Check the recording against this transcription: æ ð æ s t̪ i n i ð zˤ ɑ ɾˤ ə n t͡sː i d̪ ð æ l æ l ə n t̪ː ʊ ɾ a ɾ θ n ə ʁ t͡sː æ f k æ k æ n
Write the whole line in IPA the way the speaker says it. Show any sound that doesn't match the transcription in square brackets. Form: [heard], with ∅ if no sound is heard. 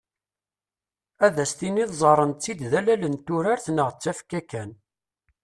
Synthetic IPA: æ ð æ s t̪ i n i ð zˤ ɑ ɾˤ ə n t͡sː i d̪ ð æ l æ l ə n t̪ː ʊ ɾ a ɾ θ n ə ʁ t͡sː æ f k æ k æ n